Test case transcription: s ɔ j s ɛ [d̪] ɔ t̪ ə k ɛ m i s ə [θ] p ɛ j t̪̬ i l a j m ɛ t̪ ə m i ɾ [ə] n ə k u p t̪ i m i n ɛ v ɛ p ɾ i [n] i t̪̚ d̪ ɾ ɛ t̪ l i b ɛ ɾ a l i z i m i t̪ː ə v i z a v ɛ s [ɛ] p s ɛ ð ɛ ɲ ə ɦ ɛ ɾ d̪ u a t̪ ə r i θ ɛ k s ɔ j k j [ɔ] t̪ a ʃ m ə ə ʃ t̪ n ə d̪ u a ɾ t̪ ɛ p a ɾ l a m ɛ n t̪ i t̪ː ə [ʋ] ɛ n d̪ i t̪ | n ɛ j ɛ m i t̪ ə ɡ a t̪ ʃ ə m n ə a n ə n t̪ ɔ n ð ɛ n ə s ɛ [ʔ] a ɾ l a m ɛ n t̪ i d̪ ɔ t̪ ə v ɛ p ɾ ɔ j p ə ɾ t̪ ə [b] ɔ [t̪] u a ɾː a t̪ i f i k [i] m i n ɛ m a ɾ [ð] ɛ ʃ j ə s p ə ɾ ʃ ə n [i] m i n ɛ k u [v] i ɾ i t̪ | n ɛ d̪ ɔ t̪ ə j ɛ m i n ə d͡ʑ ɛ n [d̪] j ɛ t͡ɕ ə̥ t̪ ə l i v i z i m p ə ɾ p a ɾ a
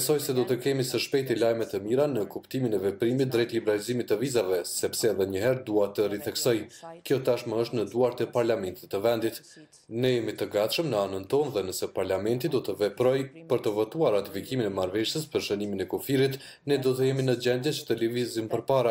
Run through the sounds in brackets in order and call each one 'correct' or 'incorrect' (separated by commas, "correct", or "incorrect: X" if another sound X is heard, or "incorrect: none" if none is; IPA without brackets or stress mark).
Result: correct, incorrect: ʃ, incorrect: a, incorrect: m, correct, correct, incorrect: v, incorrect: p, incorrect: v, correct, correct, incorrect: v, correct, incorrect: f, correct